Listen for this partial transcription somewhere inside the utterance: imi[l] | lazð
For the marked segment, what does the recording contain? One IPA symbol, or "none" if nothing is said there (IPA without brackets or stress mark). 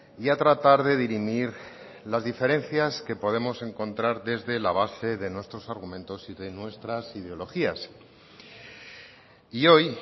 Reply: ɾ